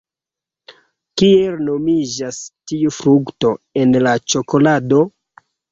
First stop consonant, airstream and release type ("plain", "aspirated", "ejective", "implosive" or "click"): plain